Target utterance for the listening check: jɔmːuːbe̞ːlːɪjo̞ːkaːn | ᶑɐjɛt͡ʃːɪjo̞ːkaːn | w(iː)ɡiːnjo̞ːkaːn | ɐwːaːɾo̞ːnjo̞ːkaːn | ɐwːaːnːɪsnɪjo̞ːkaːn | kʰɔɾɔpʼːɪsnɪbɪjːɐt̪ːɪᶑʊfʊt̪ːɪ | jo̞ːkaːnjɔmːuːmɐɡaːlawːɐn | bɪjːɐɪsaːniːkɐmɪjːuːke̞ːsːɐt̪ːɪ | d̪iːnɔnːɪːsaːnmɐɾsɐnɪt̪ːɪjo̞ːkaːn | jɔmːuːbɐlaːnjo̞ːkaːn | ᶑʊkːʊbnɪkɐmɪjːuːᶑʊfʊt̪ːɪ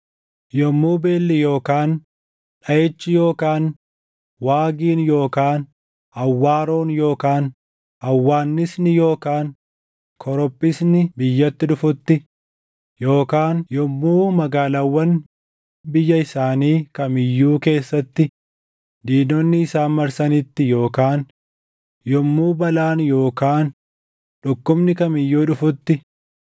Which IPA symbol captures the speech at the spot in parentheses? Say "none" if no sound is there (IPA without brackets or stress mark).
aː